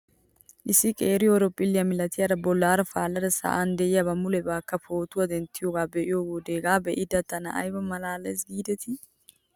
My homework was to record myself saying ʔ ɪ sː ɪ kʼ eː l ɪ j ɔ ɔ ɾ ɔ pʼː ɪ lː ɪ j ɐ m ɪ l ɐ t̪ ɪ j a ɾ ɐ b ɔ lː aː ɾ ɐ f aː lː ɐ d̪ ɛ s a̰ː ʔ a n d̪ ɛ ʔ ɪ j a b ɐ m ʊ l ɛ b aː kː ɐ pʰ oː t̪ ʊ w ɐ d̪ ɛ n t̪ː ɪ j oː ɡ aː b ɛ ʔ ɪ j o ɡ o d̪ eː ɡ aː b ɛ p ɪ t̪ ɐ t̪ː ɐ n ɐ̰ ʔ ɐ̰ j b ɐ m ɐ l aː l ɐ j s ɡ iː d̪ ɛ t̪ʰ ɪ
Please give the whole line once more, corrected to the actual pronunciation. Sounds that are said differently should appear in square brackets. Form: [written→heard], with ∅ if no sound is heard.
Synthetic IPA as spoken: ʔ ɪ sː ɪ kʼ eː [l→ɾ] ɪ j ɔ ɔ ɾ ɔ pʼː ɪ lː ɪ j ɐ m ɪ l ɐ t̪ ɪ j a ɾ ɐ b ɔ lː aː ɾ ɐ f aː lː ɐ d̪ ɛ s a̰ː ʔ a n d̪ ɛ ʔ ɪ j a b ɐ m ʊ l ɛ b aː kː ɐ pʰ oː t̪ ʊ w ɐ d̪ ɛ n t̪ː ɪ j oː ɡ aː b ɛ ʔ ɪ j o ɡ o d̪ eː ɡ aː b ɛ [p→ʔ] ɪ [t̪→d̪] ɐ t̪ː ɐ n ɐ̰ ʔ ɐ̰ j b ɐ m ɐ l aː l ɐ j s ɡ iː d̪ ɛ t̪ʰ ɪ